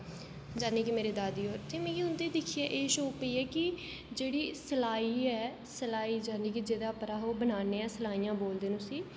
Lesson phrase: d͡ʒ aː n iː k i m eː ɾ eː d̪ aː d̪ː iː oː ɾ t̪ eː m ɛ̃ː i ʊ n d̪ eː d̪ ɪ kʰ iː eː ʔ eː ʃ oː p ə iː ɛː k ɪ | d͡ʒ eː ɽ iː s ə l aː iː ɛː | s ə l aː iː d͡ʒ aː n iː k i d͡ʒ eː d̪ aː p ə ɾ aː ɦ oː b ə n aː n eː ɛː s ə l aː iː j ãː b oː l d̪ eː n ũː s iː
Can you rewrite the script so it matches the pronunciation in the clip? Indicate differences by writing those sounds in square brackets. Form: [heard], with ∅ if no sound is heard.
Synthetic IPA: d͡ʒ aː n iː k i m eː ɾ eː d̪ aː [d̪] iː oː ɾ t̪ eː m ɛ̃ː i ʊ n d̪ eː d̪ ɪ kʰ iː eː ʔ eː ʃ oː p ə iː ɛː k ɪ | d͡ʒ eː ɽ iː s ə l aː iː ɛː | s ə l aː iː d͡ʒ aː n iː k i d͡ʒ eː d̪ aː p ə ɾ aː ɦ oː b ə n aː n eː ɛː s ə l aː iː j ãː b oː l d̪ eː n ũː s iː

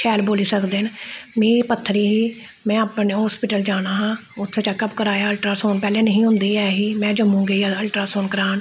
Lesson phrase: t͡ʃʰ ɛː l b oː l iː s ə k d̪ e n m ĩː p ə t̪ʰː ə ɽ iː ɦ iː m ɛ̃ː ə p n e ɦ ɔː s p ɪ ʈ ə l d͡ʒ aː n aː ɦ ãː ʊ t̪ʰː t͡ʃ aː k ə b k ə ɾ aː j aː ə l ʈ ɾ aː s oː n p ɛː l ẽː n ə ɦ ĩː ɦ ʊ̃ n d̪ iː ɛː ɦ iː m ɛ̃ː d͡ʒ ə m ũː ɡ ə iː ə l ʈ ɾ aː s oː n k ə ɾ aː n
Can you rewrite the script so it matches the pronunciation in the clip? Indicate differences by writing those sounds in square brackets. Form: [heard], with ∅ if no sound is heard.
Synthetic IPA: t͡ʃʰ ɛː l b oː l iː s ə k d̪ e n m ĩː p ə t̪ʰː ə [ɾ] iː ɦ iː m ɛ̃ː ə p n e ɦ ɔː s p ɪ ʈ ə l d͡ʒ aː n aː ɦ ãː ʊ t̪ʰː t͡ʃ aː k ə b k ə ɾ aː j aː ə l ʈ ɾ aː s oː n p ɛː l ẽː n ə ɦ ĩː ɦ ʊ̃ n d̪ iː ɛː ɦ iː m ɛ̃ː d͡ʒ ə m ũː ɡ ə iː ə l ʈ ɾ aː s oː n k ə ɾ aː n

